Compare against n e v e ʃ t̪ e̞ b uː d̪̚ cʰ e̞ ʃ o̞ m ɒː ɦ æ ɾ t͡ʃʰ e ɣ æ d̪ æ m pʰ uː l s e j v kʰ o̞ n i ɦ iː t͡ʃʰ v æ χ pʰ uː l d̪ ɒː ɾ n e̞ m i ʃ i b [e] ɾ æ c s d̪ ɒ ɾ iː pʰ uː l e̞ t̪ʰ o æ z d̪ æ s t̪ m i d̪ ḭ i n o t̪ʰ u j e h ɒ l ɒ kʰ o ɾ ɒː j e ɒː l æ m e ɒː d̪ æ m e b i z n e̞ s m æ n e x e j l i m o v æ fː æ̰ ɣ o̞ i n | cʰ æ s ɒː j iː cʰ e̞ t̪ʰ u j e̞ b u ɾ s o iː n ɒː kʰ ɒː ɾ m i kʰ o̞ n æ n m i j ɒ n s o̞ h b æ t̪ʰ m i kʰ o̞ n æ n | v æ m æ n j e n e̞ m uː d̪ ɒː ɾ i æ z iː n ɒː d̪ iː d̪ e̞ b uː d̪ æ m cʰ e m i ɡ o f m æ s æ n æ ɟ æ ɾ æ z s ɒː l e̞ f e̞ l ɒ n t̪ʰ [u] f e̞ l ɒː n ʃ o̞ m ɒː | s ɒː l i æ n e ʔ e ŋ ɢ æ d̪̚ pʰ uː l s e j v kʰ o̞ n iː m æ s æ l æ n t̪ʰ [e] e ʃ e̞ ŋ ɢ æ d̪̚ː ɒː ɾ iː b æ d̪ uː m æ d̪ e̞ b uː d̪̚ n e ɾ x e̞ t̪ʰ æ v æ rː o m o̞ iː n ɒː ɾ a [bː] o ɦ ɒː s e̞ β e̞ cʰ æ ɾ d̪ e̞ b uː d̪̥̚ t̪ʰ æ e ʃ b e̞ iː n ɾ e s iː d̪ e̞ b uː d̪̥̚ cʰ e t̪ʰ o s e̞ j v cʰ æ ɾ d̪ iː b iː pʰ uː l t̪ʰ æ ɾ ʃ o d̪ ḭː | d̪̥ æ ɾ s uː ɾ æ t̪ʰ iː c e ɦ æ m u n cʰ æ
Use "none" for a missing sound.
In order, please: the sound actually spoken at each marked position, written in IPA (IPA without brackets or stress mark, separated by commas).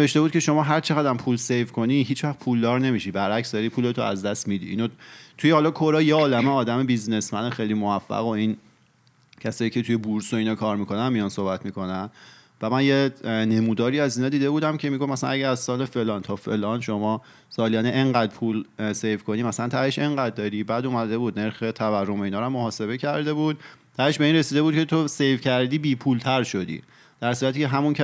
æ, ɒ, æ, mː